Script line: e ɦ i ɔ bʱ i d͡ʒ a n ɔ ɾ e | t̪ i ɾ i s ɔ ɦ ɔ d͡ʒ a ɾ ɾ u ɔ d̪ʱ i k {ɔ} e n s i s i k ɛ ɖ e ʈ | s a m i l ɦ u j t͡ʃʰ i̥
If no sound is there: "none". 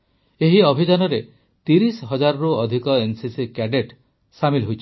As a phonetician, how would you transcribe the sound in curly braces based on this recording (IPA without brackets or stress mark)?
ɔ